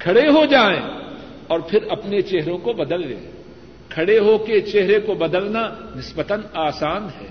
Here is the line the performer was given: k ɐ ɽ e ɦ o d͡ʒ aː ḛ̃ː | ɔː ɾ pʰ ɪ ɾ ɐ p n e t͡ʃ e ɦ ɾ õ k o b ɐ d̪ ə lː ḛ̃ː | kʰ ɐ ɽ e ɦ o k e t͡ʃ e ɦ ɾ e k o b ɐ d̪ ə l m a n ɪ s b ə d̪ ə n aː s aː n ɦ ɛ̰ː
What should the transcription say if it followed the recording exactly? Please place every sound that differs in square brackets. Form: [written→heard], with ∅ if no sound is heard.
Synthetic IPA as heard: [k→kʰ] ɐ ɽ e ɦ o d͡ʒ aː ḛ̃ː | ɔː ɾ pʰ ɪ ɾ ɐ p n e t͡ʃ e ɦ ɾ õ k o b ɐ d̪ ə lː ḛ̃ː | kʰ ɐ ɽ e ɦ o k e t͡ʃ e ɦ ɾ e k o b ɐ d̪ ə l [m→n] a n ɪ s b ə [d̪→t̪] ə n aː s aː n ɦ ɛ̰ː